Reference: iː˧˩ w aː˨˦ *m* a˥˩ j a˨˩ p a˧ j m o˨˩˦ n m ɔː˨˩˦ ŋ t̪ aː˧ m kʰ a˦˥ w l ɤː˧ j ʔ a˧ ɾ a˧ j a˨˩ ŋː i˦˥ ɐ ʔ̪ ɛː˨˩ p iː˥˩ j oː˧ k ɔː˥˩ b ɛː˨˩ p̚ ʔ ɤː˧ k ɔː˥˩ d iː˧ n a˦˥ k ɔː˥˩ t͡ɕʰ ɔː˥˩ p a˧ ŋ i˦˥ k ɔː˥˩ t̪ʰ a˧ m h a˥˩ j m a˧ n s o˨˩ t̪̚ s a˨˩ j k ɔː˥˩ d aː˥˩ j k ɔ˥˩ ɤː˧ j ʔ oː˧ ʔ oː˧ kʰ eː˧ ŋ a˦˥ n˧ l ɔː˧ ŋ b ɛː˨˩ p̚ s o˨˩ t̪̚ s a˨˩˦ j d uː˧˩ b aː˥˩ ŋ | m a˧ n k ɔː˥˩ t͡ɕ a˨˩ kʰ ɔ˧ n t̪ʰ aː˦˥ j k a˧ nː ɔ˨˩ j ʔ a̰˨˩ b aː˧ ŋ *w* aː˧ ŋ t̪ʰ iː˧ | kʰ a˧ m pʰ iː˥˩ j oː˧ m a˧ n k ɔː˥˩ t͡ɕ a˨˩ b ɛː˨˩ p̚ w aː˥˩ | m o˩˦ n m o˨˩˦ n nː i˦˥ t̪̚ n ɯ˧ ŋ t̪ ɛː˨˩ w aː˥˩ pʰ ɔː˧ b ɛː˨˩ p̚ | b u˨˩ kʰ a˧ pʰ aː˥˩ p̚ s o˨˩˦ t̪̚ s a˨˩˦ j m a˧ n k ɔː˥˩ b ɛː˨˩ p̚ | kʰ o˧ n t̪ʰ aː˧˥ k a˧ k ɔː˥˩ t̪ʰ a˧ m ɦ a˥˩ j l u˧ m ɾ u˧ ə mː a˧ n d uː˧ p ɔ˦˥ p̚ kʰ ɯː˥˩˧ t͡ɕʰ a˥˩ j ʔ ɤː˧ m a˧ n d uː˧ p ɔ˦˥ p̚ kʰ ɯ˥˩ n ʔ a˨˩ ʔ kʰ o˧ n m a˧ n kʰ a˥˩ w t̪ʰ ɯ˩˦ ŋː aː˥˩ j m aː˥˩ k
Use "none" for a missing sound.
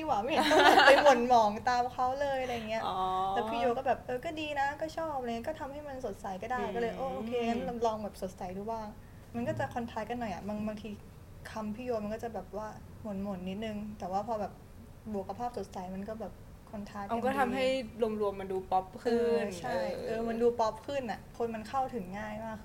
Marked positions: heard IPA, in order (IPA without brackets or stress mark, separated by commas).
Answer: m, b